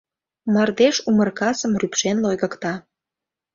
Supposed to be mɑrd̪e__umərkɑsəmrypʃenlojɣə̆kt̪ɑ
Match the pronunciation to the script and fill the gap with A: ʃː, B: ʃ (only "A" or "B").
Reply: B